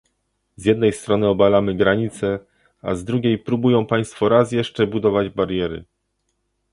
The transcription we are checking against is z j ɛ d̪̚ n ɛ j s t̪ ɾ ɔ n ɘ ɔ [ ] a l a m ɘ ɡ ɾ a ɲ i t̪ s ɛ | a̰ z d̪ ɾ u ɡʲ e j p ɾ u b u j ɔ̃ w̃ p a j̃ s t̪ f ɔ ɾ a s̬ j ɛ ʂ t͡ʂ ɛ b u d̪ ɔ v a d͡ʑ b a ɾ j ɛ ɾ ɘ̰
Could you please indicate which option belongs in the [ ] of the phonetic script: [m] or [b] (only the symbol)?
b